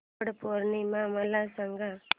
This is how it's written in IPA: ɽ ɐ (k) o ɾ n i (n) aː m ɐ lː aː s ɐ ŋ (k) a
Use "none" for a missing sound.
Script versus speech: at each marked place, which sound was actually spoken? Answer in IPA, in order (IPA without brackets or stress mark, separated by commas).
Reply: p, m, ɡ